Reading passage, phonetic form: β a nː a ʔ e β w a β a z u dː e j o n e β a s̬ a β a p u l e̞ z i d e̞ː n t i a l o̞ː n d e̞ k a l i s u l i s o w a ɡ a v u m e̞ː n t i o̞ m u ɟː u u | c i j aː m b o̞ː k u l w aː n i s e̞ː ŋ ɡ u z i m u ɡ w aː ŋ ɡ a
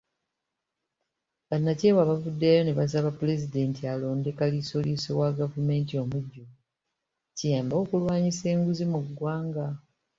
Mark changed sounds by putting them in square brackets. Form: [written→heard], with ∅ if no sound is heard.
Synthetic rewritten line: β a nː a [ʔ→c] e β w a β a [z→v] u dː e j o n e β a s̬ a β a p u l e̞ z i d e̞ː n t i a l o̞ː n d e̞ k a l i s [u→o] l i s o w a ɡ a v u m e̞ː n t i o̞ m u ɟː u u | c i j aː m b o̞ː k u l w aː [n→ɲ] i s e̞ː ŋ ɡ u z i m u ɡ w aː ŋ ɡ a